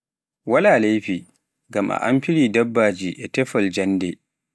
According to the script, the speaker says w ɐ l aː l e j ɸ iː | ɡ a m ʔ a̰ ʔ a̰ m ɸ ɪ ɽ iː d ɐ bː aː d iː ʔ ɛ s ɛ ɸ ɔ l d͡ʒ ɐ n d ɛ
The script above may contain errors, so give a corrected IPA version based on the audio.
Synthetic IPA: w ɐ l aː l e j ɸ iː | ɡ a m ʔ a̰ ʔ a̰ m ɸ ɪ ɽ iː d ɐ bː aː d͡ʒ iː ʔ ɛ t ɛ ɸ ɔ l d͡ʒ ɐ n d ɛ